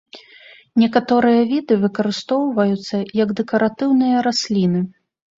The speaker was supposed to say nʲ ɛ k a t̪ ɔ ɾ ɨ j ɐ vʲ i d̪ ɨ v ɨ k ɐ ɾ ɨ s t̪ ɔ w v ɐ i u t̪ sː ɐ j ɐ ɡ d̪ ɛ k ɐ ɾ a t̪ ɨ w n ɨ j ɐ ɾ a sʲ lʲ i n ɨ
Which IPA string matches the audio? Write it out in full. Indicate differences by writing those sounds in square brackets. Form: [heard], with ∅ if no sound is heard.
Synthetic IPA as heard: nʲ ɛ k a t̪ ɔ ɾ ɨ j ɐ vʲ i d̪ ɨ v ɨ k ɐ ɾ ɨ s t̪ ɔ w v ɐ [j] u t̪ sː ɐ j ɐ ɡ d̪ ɛ k ɐ ɾ a t̪ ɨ w n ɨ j ɐ ɾ a sʲ lʲ i n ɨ

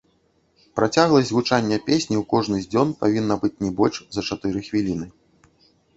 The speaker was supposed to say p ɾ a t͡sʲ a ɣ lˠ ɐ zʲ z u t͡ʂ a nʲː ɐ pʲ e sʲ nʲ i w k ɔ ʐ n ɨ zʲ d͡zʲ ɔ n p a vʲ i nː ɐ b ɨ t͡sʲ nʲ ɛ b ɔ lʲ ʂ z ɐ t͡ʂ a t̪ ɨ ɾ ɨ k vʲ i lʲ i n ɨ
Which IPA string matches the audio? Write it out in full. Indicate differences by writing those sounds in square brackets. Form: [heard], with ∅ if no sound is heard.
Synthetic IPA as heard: p ɾ a t͡sʲ a ɣ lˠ ɐ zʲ [ɣ] u t͡ʂ a nʲː ɐ pʲ e sʲ nʲ i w k ɔ ʐ n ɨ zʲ d͡zʲ ɔ n p a vʲ i nː ɐ b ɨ t͡sʲ nʲ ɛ b ɔ lʲ ʂ z ɐ t͡ʂ a t̪ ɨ ɾ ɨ [x] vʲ i lʲ i n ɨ

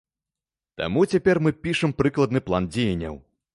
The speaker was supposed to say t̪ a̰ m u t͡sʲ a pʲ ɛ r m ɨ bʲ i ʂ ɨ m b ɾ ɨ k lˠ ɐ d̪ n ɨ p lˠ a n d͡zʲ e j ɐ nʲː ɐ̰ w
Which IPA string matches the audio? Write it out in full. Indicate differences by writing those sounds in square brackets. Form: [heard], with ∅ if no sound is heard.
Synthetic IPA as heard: t̪ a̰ m u t͡sʲ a pʲ ɛ r m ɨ [pʲ] i ʂ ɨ m [p] ɾ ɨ k lˠ ɐ d̪ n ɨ p lˠ a n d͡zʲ e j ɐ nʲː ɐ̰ w

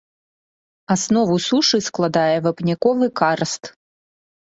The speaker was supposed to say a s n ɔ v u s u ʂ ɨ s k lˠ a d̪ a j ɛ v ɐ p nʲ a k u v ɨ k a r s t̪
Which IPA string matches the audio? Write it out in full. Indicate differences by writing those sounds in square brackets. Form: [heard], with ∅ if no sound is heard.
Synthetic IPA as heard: a s n ɔ v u s u ʂ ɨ s k lˠ a d̪ a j ɛ v ɐ p nʲ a k [ɔ] v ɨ k a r s t̪

